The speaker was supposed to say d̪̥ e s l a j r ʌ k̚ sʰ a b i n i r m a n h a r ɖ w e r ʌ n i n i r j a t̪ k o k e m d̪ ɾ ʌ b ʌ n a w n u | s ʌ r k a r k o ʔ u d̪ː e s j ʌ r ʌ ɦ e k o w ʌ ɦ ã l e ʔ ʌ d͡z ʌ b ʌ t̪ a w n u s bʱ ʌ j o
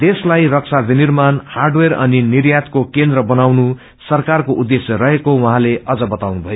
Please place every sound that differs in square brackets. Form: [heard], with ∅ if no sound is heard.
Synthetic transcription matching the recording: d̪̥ e s l a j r ʌ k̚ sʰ a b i n i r m a n h a r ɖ w e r ʌ n i n i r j a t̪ k o k e [n] d̪ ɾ ʌ b ʌ n a w n u | s ʌ r k a r k o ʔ u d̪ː e s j ʌ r ʌ ɦ e k o w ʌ ɦ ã l e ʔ ʌ d͡z ʌ b ʌ t̪ a w n u [∅] bʱ ʌ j o